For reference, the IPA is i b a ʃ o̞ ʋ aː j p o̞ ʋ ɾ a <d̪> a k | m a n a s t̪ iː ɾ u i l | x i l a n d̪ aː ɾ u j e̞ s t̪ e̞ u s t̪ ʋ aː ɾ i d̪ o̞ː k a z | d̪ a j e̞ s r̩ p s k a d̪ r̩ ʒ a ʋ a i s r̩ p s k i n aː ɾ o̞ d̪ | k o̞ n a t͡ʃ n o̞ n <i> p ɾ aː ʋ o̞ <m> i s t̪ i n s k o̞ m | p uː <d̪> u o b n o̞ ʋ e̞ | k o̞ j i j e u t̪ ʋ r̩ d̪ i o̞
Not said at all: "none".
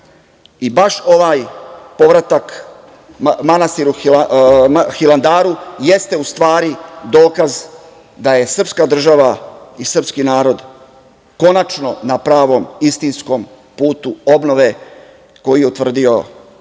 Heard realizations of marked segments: t̪, a, m, t̪

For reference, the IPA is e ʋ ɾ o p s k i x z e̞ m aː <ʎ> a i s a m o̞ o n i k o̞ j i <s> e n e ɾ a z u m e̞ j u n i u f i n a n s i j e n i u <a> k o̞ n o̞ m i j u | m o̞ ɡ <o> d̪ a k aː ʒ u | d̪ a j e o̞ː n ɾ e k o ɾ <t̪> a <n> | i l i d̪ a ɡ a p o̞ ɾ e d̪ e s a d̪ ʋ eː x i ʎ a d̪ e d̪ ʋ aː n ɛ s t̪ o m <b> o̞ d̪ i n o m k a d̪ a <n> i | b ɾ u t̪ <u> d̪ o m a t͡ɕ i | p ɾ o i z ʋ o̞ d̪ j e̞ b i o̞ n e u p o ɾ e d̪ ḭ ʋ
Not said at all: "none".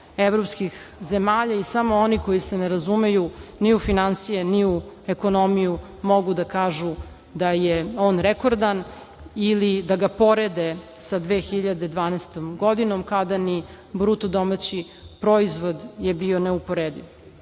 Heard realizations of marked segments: ʎ, s, e, u, d̪, n, ɡ, n, o

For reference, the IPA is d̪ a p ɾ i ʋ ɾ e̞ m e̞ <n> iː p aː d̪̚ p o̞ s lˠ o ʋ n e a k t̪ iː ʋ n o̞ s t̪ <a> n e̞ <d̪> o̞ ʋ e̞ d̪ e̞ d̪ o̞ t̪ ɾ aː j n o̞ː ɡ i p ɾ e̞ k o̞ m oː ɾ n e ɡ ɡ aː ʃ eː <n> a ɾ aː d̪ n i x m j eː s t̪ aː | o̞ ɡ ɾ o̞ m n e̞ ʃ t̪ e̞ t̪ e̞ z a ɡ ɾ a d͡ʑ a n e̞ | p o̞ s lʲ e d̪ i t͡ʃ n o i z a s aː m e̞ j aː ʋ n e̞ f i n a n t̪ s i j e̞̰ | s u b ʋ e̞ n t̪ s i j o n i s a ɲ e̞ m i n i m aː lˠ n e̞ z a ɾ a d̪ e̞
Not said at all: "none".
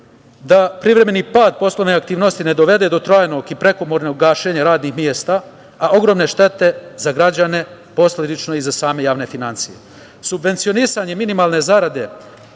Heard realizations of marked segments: n, i, d̪, ɲ

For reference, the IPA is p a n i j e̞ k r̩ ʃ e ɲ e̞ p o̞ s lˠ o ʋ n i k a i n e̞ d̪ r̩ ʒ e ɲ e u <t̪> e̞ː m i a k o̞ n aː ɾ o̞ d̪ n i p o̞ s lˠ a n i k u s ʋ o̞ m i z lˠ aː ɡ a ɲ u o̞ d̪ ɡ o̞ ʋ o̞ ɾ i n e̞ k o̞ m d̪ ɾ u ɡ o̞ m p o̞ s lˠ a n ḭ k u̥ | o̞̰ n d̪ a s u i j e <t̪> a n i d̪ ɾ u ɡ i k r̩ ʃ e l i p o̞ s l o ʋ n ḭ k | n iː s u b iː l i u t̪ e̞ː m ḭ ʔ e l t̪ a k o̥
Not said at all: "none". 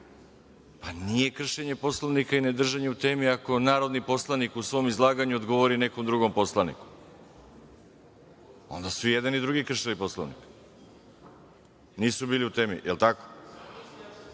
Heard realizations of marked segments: t̪, d̪

